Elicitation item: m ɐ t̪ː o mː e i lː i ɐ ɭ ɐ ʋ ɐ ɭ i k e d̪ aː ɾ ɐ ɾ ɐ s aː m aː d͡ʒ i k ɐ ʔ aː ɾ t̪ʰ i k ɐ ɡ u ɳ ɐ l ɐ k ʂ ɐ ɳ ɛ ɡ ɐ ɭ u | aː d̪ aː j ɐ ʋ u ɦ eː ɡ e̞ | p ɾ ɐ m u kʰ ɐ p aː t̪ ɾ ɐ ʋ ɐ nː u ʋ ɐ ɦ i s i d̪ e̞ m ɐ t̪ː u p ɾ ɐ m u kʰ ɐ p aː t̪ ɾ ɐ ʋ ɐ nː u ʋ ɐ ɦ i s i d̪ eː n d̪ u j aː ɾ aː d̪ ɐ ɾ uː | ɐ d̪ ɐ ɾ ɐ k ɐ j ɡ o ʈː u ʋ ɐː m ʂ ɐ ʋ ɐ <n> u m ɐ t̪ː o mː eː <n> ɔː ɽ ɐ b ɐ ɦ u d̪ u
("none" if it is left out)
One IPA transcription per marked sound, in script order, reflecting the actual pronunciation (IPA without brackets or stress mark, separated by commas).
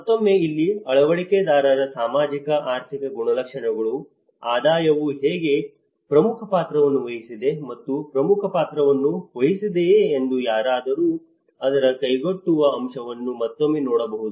nː, n